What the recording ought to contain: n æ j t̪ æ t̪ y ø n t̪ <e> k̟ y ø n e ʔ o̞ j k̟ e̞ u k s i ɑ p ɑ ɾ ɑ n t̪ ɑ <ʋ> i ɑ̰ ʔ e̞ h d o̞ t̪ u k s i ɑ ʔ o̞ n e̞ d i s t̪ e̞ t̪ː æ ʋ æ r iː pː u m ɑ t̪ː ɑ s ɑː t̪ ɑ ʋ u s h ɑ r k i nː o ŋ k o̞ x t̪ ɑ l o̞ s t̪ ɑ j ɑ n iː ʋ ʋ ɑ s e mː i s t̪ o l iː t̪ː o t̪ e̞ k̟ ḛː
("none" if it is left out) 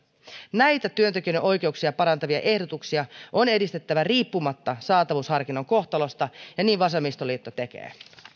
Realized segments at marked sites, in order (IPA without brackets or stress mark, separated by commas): e, ʋ